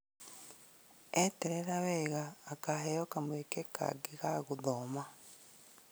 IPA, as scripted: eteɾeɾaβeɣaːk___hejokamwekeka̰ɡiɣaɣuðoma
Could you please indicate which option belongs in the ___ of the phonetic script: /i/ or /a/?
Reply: a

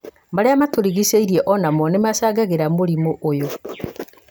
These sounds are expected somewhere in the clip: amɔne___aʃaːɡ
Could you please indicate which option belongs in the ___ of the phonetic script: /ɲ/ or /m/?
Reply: m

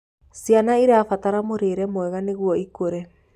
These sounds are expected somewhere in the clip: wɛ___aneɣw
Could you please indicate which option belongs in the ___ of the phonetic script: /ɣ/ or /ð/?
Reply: ɣ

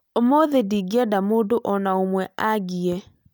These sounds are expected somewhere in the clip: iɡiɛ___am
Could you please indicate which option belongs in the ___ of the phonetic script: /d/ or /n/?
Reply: d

